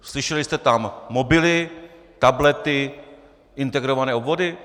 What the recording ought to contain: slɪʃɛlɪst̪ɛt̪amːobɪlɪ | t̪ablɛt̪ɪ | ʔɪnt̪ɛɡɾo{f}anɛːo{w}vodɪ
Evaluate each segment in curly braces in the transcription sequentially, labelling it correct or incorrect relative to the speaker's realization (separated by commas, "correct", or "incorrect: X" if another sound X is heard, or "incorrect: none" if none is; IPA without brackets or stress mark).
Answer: incorrect: v, incorrect: b